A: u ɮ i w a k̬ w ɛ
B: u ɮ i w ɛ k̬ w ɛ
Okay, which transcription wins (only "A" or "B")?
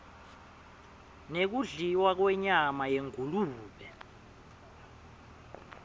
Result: A